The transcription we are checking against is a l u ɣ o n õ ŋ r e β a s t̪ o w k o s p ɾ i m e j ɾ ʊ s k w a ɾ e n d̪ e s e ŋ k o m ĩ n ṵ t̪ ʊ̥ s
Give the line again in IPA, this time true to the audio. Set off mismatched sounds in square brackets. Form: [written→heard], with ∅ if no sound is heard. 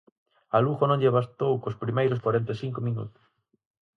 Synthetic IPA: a l u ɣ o n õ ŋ [r→ʎ] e β a s t̪ o w k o s p ɾ i m e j ɾ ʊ s k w a ɾ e n [d̪→t̪] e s [e→i] ŋ k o m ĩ n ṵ t̪ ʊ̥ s